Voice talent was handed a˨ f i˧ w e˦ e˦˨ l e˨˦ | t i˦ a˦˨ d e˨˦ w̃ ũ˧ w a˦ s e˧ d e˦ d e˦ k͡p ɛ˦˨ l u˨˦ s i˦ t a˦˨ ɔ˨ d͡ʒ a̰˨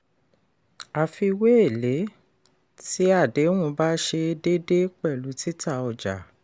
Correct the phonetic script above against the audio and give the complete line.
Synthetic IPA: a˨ f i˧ w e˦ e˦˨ l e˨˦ | t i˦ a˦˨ d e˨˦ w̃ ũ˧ b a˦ ʃ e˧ d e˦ d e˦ k͡p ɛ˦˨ l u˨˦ t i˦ t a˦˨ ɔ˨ d͡ʒ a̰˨